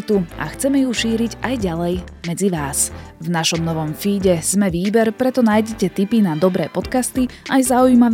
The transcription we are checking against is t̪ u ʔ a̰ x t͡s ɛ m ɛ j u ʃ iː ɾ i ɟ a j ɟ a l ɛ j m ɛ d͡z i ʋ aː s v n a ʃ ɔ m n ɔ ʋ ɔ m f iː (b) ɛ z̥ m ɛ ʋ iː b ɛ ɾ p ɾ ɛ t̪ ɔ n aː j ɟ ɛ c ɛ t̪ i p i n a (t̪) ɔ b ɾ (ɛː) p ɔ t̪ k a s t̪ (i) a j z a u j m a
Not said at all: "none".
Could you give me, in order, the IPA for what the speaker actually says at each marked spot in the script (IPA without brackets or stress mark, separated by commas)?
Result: ɟ, d̪, ɛː, i